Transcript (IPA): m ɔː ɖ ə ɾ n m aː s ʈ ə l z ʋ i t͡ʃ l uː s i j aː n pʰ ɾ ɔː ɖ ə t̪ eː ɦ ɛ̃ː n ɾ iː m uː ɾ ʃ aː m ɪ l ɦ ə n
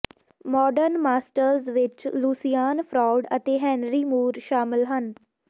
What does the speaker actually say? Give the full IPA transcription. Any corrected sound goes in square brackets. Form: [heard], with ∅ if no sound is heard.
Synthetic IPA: m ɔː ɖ ə ɾ n m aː s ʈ ə [ɾ] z ʋ [ɪ] t͡ʃ l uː s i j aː n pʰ ɾ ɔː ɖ ə t̪ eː ɦ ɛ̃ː n ɾ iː m uː ɾ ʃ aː m ɪ l ɦ ə n